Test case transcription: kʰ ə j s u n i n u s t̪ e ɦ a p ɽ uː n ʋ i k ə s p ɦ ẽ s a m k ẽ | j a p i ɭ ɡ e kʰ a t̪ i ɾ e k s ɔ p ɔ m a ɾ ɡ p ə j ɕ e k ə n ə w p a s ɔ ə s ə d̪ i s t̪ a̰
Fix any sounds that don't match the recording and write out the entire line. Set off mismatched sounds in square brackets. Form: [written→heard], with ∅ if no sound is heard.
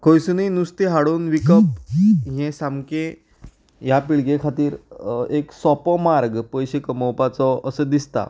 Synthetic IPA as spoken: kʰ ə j s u n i n u s t̪ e ɦ a [p→∅] ɽ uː n ʋ i k ə [s→∅] p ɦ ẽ s a m k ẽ | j a p i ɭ ɡ e kʰ a t̪ [i→iː] ɾ e k s ɔ p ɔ m a ɾ ɡ p ə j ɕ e k ə [n→m] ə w p a [s→t͡s] ɔ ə s ə d̪ i s t̪ a̰